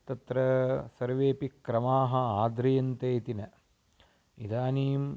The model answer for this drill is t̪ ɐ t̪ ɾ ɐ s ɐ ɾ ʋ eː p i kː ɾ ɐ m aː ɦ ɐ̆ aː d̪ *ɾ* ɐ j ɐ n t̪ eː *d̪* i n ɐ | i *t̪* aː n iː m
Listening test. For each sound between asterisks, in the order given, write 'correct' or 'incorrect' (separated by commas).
correct, incorrect, incorrect